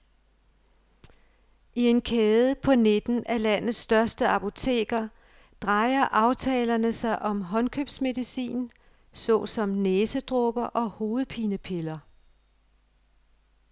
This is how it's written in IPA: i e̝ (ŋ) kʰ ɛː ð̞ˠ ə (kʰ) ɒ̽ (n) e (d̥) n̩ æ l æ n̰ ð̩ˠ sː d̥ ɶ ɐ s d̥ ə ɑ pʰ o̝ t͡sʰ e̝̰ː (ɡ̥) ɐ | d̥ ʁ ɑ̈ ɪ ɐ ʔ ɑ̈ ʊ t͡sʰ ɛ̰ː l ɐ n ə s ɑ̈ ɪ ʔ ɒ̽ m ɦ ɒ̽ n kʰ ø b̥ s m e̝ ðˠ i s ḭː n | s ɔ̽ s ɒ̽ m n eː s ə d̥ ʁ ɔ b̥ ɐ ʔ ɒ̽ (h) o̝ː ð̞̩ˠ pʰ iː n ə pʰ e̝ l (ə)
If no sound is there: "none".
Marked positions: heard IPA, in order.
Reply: n, pʰ, n, d̥, ɡ̥, h, ɐ

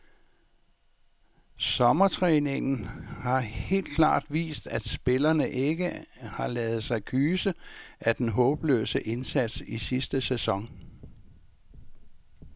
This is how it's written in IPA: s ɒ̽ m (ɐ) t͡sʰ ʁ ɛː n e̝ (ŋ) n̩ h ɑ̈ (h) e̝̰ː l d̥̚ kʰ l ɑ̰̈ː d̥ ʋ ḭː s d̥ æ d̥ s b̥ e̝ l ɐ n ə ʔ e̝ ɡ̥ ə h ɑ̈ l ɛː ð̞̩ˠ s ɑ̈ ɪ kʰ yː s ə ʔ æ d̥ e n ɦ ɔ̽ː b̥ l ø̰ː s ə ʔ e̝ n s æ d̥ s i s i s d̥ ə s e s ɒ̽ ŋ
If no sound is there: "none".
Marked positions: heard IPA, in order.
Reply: ɐ, ŋ, h

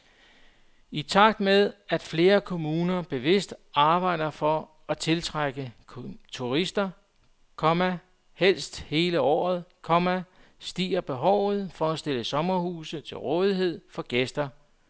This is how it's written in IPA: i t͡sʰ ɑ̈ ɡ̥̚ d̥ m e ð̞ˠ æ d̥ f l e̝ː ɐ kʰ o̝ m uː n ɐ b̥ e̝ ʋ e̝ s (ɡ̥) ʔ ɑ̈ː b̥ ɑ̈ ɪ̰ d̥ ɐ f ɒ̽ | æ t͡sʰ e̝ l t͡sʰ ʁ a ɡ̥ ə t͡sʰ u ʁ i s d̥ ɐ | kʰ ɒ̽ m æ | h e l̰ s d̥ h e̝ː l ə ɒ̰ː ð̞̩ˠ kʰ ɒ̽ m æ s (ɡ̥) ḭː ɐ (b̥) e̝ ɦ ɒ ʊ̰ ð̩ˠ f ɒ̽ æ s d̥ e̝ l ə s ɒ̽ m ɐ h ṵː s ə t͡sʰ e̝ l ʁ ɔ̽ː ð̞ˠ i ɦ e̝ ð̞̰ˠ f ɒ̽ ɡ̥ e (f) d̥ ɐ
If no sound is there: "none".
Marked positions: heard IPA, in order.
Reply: d̥, d̥, b̥, s

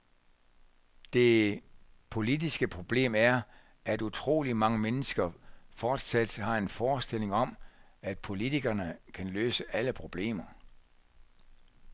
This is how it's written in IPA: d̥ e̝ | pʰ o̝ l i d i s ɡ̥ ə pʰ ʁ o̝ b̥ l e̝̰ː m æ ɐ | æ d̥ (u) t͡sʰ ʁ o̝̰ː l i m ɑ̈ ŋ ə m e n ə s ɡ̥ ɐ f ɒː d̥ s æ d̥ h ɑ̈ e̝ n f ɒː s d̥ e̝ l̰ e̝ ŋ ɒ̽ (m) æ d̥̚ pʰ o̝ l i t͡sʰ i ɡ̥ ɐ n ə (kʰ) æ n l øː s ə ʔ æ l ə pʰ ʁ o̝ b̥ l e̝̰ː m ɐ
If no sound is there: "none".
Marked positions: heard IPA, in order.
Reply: u, m, kʰ

